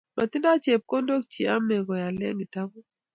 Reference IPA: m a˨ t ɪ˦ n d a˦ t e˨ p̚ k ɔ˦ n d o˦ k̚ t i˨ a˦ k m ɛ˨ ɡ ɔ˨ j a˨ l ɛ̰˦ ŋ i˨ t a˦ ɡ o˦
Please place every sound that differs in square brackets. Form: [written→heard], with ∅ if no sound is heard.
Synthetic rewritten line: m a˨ t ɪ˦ n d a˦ [t→t͡ʃ] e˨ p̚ k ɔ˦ n d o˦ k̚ [t→t͡ʃ] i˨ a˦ [k→∅] m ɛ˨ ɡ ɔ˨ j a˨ l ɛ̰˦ ŋ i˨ t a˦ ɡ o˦